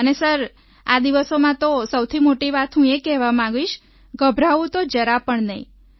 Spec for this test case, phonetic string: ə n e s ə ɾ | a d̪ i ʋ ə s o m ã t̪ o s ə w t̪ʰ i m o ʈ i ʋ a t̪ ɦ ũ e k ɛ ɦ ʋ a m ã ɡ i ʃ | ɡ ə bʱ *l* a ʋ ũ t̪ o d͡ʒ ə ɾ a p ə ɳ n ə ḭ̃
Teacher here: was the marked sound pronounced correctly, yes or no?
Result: no